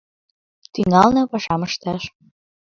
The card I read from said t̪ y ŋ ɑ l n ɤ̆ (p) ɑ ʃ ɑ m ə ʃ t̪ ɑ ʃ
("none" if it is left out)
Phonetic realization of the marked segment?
p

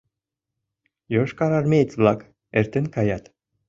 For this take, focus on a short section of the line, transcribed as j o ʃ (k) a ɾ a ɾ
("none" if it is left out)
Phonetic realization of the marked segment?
k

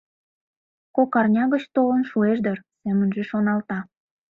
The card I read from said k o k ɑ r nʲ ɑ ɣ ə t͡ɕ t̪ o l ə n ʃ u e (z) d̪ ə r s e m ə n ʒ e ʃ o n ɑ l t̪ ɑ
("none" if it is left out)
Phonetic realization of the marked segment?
ʒ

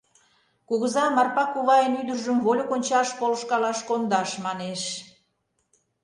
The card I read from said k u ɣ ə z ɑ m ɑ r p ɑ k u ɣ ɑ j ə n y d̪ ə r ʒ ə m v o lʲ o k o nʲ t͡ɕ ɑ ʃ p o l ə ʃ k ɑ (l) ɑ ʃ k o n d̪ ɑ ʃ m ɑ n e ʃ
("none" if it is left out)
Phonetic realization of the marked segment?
l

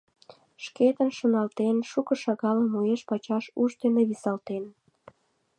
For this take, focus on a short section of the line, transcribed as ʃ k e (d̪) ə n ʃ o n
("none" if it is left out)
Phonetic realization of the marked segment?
t̪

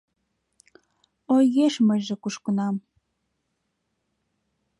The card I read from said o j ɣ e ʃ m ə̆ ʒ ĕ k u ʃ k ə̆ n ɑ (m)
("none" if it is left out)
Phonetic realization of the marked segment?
m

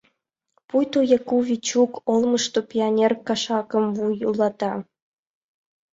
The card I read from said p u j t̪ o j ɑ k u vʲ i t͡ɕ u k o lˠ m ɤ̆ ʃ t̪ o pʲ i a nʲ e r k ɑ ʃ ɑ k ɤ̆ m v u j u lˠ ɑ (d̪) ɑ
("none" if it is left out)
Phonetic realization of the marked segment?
t̪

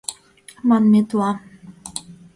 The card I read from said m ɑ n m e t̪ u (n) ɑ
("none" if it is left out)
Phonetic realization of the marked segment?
none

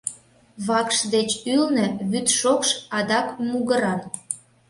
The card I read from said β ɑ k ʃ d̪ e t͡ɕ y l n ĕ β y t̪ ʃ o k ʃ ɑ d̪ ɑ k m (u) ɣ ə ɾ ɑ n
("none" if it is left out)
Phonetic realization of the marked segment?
u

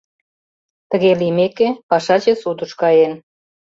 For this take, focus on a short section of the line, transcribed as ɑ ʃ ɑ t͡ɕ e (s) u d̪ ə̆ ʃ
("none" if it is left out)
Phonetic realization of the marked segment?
s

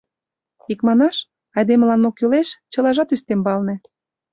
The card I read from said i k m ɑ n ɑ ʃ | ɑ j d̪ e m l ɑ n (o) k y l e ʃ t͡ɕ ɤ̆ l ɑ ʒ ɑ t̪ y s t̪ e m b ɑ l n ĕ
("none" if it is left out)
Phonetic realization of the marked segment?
o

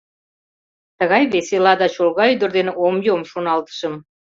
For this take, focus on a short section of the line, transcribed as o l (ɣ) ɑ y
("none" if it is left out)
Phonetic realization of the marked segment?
ɣ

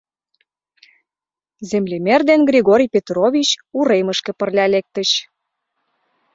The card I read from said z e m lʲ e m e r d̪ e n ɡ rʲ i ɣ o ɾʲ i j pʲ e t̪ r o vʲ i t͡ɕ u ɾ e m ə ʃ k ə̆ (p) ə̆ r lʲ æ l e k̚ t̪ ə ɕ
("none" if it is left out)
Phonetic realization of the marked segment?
p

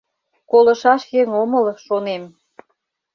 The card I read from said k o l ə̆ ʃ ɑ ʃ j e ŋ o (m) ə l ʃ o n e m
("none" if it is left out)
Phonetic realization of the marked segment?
m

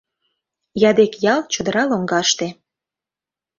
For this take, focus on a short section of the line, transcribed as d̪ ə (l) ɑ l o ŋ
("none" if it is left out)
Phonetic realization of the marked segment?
ɾ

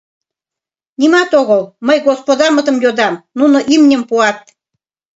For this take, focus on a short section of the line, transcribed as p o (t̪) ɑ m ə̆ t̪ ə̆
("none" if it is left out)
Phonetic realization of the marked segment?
d̪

